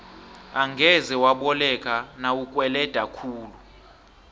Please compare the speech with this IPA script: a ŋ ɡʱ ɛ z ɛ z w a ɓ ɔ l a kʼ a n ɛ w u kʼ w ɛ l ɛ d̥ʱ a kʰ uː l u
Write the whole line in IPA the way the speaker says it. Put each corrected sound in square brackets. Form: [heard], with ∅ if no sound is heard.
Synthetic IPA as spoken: a ŋ ɡʱ ɛ z ɛ [∅] w a ɓ ɔ l [ɛ] kʼ a n [a] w u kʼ w ɛ l ɛ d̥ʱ a kʰ uː l u